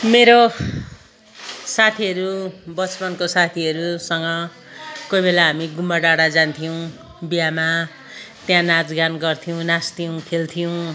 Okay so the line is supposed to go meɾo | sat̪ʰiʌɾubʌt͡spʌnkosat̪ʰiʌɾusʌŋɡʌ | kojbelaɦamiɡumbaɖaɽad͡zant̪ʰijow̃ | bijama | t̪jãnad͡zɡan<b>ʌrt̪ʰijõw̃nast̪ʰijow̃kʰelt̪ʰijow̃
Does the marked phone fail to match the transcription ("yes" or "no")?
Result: yes